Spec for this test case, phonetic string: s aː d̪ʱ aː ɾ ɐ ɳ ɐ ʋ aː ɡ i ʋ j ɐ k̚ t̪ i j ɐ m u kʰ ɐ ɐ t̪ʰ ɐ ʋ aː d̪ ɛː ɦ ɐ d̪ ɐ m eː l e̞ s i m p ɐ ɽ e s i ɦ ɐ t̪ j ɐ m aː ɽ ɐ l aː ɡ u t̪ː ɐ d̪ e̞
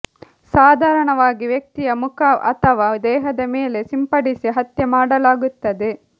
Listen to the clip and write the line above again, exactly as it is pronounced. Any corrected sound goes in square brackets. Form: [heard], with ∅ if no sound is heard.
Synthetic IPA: s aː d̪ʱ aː ɾ ɐ ɳ ɐ ʋ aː ɡ i ʋ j ɐ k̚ t̪ i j ɐ m u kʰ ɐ ɐ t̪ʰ ɐ ʋ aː d̪ ɛː ɦ ɐ d̪ ɐ m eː l e̞ s i m p ɐ ɽ [i] s i ɦ ɐ t̪ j ɐ m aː ɽ ɐ l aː ɡ u t̪ː ɐ d̪ e̞